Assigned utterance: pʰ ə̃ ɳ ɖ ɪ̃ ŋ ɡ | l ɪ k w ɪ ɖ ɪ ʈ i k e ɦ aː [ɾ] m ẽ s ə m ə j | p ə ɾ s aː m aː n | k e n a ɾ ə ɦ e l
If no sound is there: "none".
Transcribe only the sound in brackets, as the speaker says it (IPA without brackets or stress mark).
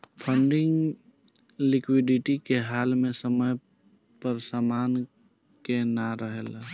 l